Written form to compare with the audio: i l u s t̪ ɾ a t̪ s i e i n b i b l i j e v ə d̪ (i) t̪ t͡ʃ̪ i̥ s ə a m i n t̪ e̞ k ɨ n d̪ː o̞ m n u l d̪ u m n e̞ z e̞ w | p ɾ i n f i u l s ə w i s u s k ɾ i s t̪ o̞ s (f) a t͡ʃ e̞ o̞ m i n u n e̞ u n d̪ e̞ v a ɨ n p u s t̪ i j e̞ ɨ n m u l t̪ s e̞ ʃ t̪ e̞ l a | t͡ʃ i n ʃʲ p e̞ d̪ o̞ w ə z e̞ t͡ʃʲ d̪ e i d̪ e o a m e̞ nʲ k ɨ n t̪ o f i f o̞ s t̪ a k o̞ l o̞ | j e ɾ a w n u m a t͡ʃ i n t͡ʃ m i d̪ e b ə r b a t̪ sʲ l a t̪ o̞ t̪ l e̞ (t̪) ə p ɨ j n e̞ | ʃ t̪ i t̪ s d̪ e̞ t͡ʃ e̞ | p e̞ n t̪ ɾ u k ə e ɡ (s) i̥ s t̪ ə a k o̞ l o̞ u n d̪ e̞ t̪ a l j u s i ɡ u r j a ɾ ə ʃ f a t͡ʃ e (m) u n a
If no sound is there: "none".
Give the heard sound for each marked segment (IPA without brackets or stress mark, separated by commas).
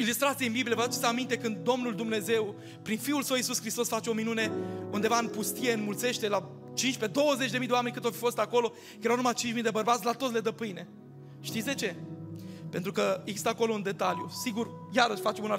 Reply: a, f, d̪, z, m